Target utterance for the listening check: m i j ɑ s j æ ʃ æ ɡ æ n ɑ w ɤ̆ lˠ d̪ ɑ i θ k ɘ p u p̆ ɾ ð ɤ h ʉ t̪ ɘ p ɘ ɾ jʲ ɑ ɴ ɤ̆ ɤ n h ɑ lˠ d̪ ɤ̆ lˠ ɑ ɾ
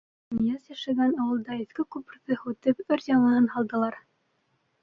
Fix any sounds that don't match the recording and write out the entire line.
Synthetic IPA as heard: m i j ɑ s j æ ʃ æ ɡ æ n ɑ w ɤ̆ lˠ d̪ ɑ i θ k ɘ k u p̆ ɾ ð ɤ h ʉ t̪ ɘ p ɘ ɾ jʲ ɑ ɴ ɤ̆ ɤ n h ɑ lˠ d̪ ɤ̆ lˠ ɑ ɾ